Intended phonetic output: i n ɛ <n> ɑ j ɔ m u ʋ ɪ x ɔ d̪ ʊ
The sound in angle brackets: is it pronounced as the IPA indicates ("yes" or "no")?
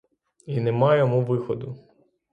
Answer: no